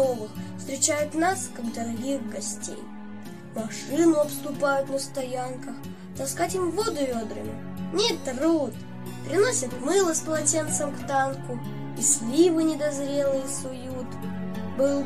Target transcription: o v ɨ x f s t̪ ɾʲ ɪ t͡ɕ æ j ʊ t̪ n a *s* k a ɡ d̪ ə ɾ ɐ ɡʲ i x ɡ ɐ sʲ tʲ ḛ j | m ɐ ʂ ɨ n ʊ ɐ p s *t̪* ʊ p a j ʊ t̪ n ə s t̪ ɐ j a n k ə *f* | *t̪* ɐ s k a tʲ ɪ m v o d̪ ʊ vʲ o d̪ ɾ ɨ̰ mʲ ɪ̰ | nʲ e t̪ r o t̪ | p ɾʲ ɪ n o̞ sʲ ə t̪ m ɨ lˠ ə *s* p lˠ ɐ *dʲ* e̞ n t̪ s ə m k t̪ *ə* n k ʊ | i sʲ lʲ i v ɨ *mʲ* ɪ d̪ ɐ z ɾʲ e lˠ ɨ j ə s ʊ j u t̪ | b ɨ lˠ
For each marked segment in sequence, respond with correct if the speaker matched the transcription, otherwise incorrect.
correct, correct, incorrect: x, correct, correct, incorrect: tʲ, incorrect: a, incorrect: nʲ

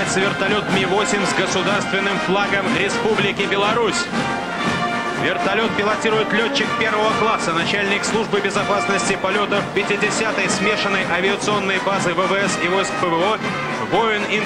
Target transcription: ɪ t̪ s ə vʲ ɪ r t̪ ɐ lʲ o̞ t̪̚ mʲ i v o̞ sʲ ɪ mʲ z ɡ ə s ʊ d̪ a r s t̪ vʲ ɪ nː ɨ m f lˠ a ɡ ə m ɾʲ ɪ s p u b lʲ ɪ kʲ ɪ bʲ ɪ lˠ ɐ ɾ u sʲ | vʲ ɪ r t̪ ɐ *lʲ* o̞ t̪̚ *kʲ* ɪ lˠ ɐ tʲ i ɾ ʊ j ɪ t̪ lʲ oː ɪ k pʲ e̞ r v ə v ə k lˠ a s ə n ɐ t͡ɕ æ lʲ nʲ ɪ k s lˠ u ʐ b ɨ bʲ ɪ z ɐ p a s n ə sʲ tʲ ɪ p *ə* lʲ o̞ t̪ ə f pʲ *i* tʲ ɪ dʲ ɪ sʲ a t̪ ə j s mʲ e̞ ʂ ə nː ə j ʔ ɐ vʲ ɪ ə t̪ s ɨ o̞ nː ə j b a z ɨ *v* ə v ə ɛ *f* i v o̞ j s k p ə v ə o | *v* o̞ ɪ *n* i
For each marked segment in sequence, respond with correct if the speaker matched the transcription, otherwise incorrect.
correct, incorrect: pʲ, incorrect: ɐ, incorrect: ɪ, correct, incorrect: s, correct, correct

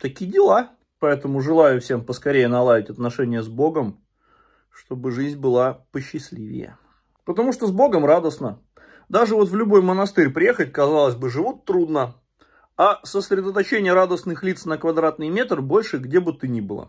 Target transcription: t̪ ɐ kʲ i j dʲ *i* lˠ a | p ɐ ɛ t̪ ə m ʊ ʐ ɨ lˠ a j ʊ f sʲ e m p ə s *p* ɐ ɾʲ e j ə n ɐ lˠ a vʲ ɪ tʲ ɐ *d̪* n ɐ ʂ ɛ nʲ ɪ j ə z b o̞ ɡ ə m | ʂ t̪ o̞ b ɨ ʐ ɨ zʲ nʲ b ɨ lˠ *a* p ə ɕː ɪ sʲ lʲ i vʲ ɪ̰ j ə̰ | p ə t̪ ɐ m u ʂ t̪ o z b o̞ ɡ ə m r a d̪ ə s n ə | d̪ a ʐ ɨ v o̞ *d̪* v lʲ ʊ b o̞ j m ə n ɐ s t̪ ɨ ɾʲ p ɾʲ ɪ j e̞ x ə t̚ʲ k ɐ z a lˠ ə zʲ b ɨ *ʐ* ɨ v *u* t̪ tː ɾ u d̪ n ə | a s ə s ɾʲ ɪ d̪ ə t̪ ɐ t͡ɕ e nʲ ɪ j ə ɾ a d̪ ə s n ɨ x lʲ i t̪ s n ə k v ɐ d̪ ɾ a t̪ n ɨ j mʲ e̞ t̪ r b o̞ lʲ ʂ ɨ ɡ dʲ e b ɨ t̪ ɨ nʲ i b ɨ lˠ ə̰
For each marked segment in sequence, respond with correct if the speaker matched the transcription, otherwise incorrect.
incorrect: ɪ, incorrect: k, incorrect: t̪, correct, incorrect: t̪, correct, correct

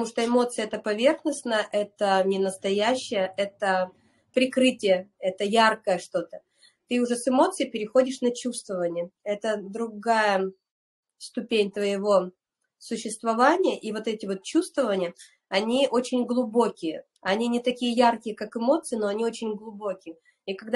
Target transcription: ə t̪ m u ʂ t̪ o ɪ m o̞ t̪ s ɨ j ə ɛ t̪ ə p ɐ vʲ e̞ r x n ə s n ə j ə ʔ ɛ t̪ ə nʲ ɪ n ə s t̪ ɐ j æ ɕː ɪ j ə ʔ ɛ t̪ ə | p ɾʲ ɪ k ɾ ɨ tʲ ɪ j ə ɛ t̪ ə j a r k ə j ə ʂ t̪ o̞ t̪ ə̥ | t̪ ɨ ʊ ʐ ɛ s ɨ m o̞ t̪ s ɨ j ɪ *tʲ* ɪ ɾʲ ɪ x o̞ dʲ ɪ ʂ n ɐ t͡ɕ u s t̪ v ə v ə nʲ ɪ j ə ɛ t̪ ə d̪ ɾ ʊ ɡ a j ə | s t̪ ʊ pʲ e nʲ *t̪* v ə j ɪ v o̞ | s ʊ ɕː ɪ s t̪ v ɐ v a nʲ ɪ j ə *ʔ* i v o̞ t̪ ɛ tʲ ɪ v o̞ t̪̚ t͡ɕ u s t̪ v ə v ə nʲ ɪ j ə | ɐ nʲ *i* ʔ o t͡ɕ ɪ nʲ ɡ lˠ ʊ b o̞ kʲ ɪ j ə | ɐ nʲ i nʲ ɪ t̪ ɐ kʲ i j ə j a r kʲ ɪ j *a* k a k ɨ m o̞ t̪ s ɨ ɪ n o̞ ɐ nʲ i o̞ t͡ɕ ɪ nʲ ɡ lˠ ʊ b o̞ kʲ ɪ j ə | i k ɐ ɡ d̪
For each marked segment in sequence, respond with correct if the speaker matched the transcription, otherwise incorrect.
incorrect: pʲ, correct, correct, correct, incorrect: ə

